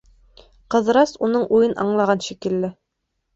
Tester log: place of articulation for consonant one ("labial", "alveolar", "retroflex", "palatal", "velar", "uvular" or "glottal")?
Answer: uvular